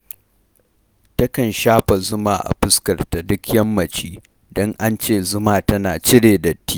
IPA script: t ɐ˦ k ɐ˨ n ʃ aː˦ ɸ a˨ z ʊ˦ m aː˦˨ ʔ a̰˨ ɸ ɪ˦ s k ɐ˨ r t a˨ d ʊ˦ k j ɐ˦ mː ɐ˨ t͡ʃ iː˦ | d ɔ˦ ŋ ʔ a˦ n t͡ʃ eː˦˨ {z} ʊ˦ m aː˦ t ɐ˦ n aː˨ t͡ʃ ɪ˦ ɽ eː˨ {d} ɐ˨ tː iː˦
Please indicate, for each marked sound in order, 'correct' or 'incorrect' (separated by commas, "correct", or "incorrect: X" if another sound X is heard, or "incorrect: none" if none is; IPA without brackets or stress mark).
correct, correct